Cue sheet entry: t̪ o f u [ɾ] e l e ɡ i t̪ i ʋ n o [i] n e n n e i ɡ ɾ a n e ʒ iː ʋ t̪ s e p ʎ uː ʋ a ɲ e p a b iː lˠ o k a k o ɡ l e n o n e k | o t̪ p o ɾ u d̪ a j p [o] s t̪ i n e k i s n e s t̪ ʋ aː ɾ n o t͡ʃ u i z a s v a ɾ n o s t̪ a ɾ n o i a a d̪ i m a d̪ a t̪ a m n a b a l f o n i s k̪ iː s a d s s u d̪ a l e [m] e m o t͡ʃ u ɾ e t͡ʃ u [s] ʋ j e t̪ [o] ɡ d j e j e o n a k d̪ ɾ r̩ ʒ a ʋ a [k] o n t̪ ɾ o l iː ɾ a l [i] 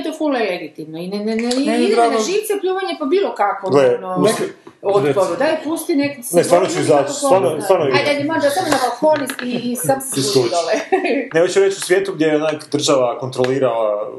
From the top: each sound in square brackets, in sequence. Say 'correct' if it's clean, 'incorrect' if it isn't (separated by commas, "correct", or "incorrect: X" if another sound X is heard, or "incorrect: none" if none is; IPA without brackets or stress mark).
incorrect: l, correct, incorrect: u, incorrect: n, correct, incorrect: u, correct, incorrect: a